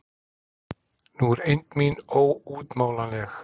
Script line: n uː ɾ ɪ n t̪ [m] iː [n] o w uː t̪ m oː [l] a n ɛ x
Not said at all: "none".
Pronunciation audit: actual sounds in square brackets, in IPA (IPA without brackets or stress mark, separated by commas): m, n, l